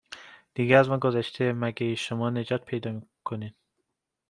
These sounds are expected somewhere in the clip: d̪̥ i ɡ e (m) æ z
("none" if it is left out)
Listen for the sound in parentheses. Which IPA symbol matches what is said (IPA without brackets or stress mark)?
none